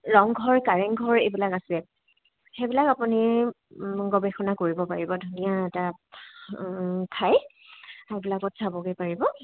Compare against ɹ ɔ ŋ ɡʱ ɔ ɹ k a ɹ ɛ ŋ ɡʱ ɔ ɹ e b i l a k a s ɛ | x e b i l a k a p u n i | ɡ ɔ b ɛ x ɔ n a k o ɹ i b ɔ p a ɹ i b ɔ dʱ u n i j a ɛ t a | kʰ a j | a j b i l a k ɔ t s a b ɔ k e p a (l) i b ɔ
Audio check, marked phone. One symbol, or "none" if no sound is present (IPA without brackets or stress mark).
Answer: ɹ